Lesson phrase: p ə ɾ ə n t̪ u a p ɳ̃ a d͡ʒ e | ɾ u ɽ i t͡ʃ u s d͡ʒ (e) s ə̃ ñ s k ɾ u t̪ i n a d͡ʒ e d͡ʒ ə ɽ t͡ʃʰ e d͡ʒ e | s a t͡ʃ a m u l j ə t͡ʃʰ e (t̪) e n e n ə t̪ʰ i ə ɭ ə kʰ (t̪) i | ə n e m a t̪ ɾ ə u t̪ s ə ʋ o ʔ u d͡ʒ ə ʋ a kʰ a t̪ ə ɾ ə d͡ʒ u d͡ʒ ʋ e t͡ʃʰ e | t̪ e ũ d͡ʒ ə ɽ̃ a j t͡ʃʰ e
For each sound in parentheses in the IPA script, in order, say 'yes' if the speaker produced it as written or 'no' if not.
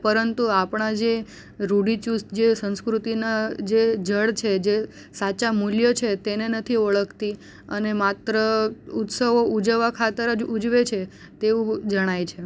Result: yes, yes, yes

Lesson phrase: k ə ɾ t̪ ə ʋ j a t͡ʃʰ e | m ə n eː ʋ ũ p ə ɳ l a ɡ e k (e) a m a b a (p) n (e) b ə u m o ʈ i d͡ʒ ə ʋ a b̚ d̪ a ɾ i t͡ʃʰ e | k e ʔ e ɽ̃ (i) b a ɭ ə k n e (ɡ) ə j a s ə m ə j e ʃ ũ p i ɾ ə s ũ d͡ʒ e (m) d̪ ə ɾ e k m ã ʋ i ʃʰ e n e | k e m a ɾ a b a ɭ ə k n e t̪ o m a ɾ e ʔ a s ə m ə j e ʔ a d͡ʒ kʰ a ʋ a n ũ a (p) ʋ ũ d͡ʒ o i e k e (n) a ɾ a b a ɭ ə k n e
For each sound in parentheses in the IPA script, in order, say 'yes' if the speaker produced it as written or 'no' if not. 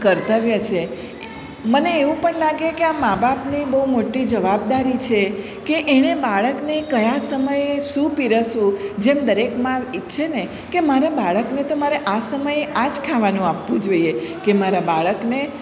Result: yes, yes, no, no, no, yes, yes, no

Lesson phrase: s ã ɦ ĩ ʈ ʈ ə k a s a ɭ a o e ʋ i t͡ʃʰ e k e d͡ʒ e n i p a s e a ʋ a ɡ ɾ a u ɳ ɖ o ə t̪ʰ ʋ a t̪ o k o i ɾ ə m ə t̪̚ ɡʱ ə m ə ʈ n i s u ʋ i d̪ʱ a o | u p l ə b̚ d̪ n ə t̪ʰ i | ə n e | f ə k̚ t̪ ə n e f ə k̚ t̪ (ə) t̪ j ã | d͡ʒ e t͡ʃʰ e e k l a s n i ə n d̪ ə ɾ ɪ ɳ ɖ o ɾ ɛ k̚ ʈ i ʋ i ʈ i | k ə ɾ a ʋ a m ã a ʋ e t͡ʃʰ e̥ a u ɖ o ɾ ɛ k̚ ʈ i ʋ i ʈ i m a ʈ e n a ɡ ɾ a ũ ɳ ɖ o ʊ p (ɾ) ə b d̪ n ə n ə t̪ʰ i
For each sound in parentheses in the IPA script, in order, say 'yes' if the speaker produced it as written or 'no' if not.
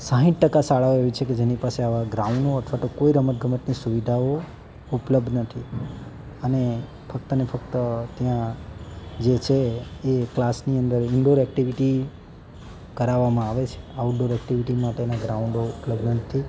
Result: yes, no

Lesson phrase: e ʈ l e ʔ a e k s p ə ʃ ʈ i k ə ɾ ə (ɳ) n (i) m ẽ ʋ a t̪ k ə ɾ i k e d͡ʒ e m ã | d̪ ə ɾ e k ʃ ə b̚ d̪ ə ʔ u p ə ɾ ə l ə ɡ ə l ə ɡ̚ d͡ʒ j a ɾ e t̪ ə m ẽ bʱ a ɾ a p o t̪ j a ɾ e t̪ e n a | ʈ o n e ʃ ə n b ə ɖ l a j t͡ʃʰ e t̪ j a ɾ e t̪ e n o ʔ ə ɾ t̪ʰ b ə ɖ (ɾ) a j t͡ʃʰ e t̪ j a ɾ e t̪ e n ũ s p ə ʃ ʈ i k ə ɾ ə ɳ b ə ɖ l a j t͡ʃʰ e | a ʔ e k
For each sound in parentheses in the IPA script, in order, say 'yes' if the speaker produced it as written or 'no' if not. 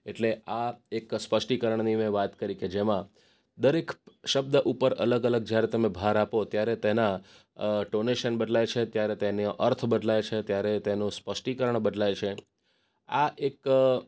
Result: yes, yes, no

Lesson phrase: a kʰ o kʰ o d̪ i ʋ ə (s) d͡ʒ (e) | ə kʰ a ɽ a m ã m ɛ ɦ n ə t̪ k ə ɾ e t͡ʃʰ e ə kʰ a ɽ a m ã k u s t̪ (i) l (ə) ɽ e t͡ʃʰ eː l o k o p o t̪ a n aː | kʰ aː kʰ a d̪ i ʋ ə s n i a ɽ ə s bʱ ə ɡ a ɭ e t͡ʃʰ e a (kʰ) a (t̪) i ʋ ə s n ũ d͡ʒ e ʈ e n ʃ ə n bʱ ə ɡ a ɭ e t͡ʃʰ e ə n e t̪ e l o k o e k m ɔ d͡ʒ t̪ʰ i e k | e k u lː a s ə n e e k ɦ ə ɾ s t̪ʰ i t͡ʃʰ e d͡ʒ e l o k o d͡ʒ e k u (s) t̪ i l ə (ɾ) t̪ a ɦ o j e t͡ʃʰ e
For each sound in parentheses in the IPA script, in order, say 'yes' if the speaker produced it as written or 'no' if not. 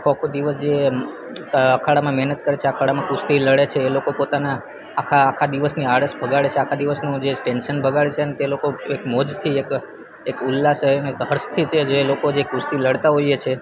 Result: yes, yes, yes, yes, yes, no, yes, no

